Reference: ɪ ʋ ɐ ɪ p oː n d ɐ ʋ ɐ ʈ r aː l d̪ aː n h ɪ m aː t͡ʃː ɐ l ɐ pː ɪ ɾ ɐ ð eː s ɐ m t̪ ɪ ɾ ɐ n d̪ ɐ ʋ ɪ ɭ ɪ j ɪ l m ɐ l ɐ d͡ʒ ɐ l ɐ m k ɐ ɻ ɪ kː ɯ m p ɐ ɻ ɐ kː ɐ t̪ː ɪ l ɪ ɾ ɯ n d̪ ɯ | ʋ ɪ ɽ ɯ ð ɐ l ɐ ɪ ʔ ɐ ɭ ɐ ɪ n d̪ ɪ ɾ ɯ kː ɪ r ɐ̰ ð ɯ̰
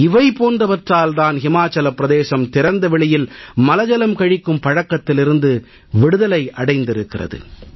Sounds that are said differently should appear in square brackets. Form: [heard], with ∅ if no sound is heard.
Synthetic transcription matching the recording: ɪ ʋ ɐ ɪ p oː n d ɐ ʋ ɐ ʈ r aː l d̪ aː n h ɪ m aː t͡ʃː ɐ l ɐ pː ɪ ɾ ɐ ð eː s ɐ m t̪ ɪ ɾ ɐ n d̪ ɐ ʋ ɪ ɭ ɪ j ɪ l m ɐ l ɐ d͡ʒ ɐ l ɐ m k ɐ ɻ ɪ kː ɯ m p ɐ ɻ ɐ kː ɐ t̪ː ɪ l ɪ ɾ ɯ n d̪ ɯ | ʋ ɪ ɽ ɯ ð ɐ l ɐ ɪ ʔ ɐ [ɽ] ɐ ɪ n d̪ ɪ ɾ ɯ kː ɪ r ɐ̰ ð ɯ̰